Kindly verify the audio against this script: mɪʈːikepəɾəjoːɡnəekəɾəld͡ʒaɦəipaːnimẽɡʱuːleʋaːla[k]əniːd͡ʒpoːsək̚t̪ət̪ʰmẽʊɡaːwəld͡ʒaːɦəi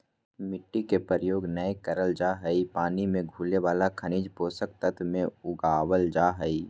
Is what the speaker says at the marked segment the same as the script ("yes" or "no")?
no